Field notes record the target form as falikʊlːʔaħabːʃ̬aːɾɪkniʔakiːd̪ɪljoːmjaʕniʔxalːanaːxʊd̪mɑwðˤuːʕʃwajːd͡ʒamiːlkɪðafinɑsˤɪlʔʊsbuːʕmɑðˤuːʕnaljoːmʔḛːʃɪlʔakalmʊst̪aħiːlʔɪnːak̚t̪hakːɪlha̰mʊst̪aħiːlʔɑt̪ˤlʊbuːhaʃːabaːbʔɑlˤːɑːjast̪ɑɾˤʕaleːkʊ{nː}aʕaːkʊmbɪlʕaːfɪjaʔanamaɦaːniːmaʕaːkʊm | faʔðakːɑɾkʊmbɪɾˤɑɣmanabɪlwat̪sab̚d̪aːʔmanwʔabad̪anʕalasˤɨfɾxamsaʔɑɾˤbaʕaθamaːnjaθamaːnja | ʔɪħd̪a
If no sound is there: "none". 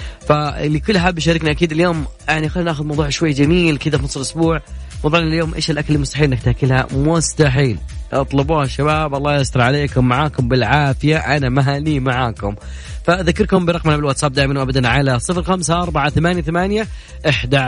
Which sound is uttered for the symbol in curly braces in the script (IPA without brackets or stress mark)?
mː